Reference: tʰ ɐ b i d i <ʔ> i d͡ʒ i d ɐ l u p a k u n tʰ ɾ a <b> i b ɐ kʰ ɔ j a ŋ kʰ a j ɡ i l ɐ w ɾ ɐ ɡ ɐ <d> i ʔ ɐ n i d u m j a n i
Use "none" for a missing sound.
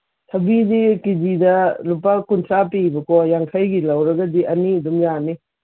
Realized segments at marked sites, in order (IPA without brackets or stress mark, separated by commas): k, p, d